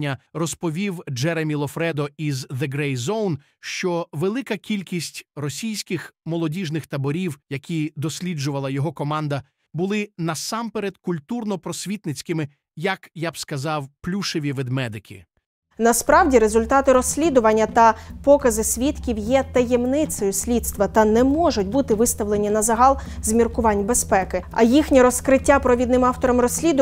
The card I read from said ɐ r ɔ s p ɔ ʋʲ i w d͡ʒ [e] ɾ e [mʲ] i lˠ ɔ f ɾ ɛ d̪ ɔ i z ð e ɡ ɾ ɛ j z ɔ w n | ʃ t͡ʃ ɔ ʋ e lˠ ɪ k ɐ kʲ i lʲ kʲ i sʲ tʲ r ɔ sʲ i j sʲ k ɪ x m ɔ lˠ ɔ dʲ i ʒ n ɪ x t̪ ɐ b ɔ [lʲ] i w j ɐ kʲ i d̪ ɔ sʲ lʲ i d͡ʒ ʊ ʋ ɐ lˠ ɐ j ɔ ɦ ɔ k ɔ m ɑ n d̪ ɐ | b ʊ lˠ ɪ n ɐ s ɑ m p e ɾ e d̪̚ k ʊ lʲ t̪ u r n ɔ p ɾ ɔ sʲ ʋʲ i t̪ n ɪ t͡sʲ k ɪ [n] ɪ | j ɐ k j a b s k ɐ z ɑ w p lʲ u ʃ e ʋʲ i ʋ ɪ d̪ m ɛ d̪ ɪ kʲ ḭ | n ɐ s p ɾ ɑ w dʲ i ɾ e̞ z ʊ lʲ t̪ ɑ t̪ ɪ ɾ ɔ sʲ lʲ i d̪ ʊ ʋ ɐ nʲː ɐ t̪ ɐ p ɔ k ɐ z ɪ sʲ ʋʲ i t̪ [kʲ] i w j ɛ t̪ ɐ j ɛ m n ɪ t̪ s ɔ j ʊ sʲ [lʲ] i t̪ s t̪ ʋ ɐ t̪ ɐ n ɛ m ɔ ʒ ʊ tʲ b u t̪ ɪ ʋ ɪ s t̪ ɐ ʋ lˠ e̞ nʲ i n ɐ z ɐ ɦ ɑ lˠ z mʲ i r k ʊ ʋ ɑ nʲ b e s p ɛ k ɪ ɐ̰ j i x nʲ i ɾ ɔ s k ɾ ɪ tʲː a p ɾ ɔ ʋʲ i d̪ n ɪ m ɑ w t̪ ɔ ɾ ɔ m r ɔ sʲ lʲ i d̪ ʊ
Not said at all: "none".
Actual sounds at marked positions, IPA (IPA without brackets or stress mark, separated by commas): ɛ, mʲ, ɾʲ, m, kʲ, lʲ